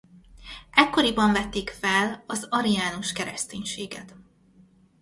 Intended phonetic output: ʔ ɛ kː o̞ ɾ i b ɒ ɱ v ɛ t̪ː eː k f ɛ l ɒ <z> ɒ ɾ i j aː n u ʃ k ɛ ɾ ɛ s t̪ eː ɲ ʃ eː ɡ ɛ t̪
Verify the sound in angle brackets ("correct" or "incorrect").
correct